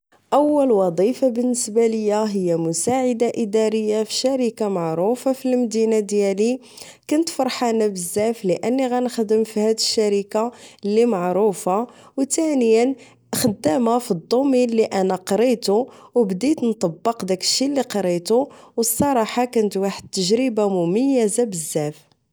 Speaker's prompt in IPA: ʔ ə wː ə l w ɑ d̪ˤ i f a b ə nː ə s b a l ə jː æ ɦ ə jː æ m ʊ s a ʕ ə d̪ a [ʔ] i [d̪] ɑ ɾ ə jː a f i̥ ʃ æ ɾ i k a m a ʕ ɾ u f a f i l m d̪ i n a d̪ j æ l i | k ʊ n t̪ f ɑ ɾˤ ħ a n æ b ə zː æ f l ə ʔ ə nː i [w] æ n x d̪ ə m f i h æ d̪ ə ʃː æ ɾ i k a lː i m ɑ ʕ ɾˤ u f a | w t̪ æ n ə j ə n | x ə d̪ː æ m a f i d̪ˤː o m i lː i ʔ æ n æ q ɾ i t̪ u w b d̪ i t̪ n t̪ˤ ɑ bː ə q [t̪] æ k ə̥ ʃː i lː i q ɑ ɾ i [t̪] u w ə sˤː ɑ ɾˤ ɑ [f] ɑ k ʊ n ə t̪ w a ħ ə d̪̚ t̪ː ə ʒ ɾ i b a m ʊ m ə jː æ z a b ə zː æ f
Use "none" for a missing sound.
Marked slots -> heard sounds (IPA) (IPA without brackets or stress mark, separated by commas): ʔ, d̪, ɣ, d̪, t̪, ħ